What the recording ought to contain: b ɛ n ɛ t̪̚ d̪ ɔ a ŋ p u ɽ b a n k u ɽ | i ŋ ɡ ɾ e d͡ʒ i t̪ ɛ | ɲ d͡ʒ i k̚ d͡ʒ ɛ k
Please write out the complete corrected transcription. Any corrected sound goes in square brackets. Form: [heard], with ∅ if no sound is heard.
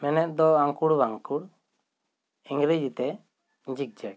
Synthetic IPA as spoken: [m] ɛ n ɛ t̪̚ d̪ ɔ a ŋ [k] u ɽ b a [ŋ] k u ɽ | i ŋ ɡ ɾ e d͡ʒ i t̪ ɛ | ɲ d͡ʒ i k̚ d͡ʒ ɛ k